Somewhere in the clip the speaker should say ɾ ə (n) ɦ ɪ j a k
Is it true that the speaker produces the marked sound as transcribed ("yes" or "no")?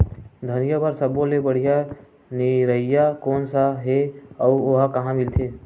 no